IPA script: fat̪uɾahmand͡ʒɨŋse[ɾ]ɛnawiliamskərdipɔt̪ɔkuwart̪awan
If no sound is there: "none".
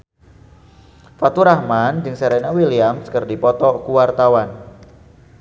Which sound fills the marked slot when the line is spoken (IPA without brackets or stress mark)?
ɾ